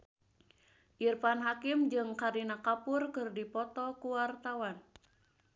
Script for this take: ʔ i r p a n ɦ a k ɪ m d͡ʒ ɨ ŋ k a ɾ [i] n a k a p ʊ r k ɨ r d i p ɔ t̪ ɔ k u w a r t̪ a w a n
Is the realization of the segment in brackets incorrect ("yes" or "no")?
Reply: no